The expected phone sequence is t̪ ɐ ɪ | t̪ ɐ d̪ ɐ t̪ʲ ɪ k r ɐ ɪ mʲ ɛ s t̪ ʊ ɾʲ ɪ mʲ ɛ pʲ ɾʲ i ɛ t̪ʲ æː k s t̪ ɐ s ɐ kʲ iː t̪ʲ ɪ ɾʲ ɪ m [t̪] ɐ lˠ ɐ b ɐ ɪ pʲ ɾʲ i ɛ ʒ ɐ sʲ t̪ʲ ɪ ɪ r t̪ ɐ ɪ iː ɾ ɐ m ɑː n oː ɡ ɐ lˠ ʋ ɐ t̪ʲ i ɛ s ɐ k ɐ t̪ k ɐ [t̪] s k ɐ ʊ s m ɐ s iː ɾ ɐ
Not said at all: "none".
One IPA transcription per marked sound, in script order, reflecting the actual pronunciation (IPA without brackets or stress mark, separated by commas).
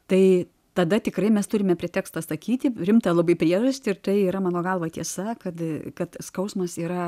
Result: t̪, t̪